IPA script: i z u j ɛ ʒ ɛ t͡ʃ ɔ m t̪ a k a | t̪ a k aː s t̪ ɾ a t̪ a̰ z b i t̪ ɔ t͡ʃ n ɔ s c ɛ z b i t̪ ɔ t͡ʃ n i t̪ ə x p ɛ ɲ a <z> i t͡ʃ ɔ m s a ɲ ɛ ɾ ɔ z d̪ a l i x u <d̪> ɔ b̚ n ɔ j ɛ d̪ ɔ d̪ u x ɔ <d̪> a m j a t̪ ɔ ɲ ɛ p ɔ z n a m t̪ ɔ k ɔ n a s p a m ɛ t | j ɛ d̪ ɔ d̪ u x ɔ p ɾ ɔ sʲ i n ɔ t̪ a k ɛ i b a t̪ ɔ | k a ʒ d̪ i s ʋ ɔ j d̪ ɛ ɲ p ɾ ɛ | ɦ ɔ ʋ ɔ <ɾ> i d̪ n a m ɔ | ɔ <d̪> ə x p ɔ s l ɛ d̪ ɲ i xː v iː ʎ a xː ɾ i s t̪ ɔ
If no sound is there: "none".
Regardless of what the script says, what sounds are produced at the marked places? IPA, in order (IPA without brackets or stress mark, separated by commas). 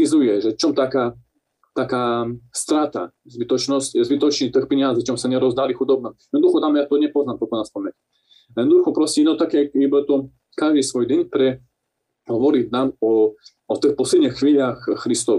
z, d̪, t̪, ɾ, t̪